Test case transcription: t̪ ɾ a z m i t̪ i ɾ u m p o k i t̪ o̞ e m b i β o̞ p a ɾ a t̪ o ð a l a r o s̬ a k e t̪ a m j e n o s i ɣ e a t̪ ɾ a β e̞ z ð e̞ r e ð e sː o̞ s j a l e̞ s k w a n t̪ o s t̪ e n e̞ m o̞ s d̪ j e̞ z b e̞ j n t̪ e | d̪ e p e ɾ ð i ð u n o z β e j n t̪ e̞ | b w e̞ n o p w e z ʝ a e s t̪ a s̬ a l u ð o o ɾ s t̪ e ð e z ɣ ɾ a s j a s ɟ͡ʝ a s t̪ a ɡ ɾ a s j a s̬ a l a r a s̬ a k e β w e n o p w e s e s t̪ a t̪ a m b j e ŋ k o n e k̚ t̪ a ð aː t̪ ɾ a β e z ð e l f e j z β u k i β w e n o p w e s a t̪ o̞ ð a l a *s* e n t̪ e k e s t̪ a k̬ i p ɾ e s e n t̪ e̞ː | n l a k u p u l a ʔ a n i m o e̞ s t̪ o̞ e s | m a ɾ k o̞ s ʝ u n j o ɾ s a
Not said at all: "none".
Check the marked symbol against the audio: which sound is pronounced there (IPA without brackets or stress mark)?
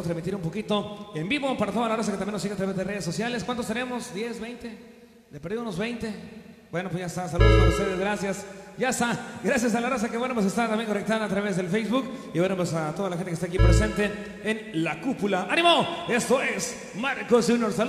x